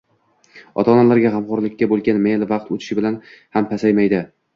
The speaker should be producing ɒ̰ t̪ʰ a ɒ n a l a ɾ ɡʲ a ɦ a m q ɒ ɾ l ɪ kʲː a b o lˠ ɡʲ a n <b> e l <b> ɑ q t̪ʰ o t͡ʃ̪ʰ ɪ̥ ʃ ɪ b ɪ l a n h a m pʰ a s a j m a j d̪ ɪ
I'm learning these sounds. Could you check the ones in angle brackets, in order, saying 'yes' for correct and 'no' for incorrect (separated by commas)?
no, no